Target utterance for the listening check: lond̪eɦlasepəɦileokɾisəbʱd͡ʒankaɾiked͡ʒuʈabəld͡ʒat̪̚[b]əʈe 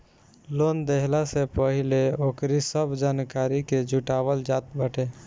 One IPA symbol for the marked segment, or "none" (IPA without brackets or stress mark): b